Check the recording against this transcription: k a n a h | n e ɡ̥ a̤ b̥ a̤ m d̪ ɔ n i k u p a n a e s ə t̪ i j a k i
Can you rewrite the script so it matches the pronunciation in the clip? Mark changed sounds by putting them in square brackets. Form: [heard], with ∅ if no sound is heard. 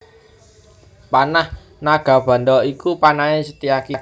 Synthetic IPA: [p] a n a h | n [a] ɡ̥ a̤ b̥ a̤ [n] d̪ ɔ [∅] i k u p a n a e s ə t̪ i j a k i

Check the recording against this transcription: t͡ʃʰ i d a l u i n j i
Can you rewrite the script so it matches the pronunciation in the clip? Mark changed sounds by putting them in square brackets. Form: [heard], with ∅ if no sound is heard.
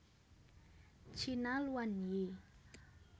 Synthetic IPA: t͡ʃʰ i [n] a l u [a] n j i

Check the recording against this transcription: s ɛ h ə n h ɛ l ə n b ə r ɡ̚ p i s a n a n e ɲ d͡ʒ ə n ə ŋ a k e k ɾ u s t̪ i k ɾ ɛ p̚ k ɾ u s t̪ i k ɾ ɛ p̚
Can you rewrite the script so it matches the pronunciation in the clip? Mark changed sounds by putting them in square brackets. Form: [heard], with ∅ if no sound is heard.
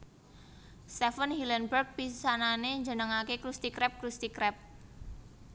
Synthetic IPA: s ɛ [f] ə n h [i] l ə n b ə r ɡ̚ p i s a n a n e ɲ d͡ʒ ə n ə ŋ a k e k ɾ u s t̪ i k ɾ ɛ p̚ k ɾ u s t̪ i k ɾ ɛ p̚

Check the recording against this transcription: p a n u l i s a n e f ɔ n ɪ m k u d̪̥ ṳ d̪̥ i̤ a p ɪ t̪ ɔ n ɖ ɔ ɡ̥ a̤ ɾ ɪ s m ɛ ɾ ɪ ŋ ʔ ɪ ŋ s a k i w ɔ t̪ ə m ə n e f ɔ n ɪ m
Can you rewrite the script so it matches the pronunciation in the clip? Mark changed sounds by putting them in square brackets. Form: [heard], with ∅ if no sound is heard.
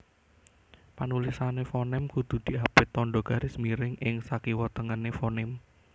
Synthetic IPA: p a n u l i s a n e f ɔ n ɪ m k u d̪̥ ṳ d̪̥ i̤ a p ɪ t̪ ɔ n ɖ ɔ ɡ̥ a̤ ɾ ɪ s m [i] ɾ ɪ ŋ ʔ ɪ ŋ s a k i w ɔ t̪ ə [ŋ] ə n e f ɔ n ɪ m

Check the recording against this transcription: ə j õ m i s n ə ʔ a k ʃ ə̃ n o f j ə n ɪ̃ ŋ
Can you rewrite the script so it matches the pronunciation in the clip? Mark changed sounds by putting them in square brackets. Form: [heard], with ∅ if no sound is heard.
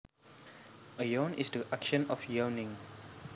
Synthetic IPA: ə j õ [n] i s [d] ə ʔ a k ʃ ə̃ n [ɔ] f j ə n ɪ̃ ŋ

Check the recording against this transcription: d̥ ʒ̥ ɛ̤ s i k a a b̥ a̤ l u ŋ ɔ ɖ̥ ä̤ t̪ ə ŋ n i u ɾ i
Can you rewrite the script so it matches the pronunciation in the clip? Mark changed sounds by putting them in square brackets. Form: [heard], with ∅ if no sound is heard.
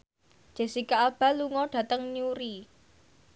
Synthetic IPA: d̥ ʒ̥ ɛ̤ s i k a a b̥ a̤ l u ŋ ɔ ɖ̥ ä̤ t̪ ə ŋ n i u ɾ i

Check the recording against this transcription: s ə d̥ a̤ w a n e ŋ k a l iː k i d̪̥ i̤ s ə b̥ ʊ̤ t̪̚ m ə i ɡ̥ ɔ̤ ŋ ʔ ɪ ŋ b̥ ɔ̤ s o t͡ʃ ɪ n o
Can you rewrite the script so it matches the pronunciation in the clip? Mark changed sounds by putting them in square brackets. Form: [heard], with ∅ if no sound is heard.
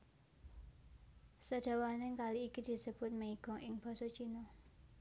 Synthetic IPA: s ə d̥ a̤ w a n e ŋ k a l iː k i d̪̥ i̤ s ə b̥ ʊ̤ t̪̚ m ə i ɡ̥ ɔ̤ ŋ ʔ ɪ ŋ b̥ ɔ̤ s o t͡ʃ [i] n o

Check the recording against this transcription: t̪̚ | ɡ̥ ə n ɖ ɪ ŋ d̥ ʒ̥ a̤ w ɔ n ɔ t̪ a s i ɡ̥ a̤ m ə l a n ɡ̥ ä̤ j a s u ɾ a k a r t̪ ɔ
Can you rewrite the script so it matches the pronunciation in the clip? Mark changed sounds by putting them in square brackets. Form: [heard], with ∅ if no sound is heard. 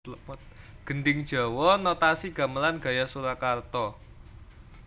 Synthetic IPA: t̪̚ | ɡ̥ ə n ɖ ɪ ŋ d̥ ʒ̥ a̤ w ɔ n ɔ t̪ a s i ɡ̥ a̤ m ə l a n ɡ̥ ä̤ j a s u ɾ a k a r t̪ ɔ

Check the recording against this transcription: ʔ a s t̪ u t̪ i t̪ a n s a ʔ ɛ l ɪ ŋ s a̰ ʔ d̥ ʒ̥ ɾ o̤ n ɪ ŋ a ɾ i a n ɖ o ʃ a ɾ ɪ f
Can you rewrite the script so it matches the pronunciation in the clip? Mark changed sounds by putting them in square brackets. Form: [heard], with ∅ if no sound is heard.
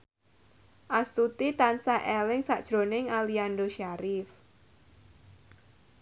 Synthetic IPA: ʔ a s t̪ u t̪ i t̪ a n s a ʔ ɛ l ɪ ŋ s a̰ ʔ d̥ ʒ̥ ɾ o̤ n ɪ ŋ a [l] i a n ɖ o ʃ a ɾ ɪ f

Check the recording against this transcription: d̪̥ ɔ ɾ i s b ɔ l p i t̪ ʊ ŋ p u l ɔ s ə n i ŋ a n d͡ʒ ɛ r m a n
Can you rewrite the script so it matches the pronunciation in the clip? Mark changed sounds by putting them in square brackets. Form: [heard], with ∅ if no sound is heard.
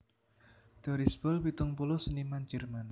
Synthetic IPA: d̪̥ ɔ ɾ i s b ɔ l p i t̪ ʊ ŋ p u l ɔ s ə n i [m] a n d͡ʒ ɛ r m a n

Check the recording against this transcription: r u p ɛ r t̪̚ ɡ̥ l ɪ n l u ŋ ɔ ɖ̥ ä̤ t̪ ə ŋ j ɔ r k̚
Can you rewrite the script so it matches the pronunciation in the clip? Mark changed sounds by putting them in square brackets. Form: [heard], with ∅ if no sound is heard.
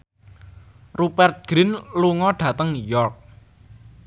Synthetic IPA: r u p ɛ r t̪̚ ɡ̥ [ɾ] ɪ n l u ŋ ɔ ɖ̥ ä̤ t̪ ə ŋ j ɔ r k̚

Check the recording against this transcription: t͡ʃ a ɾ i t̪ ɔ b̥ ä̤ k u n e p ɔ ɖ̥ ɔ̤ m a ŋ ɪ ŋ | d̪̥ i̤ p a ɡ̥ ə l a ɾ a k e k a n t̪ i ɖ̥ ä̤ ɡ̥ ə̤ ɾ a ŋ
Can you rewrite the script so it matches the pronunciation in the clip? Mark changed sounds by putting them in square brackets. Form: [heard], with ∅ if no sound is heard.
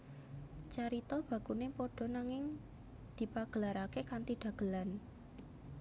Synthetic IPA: t͡ʃ a ɾ i t̪ ɔ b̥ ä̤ k u n e p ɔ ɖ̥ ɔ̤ [n] a ŋ ɪ ŋ | d̪̥ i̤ p a ɡ̥ ə l a ɾ a k e k a n t̪ i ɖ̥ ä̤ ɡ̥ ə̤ [l] a [n]

